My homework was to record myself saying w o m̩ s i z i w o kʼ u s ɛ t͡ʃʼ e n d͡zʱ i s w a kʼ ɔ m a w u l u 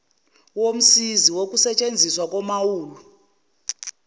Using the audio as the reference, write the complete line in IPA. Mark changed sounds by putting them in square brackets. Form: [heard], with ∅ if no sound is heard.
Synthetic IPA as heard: w o m̩ s i z i w o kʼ u s ɛ t͡ʃʼ e n d͡zʱ i s w a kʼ ɔ m a w [uː] l u